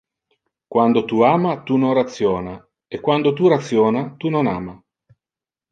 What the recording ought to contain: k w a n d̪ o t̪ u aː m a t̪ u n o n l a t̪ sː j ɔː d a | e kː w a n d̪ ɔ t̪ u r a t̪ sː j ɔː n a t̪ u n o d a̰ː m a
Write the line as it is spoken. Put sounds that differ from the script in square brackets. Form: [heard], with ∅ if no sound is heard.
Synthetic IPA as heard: k w a n d̪ o t̪ u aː m a t̪ u n o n [r] a t̪ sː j ɔː [n] a | e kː w a n d̪ [o] t̪ u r a t̪ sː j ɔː n a t̪ u n o [n] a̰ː m a